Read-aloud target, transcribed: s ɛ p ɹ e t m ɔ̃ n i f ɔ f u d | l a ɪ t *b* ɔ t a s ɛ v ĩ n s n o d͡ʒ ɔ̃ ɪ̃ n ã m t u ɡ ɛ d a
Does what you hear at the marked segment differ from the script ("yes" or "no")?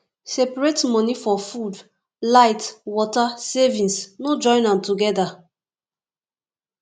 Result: yes